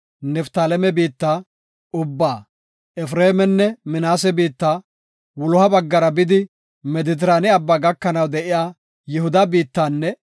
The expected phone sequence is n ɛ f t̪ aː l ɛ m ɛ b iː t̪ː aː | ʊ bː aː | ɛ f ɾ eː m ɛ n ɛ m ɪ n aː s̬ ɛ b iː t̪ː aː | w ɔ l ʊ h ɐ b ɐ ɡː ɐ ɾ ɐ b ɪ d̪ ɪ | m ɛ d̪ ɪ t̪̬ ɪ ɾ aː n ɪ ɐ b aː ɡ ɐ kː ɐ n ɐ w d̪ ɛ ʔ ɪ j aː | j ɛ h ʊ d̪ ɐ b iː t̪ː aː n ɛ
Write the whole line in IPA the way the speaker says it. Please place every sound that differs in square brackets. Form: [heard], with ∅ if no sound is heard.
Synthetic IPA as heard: n ɛ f t̪ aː l ɛ m ɛ b iː t̪ː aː | ʊ bː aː | ɛ f ɾ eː m ɛ [nː] ɛ m ɪ n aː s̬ ɛ b iː t̪ː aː | w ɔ l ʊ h ɐ b ɐ ɡː ɐ ɾ ɐ b ɪ d̪ ɪ | m ɛ d̪ ɪ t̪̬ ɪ ɾ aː n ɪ ɐ [bː] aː ɡ ɐ kː ɐ n ɐ w d̪ ɛ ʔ ɪ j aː | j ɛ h ʊ d̪ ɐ b iː t̪ː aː [nː] ɛ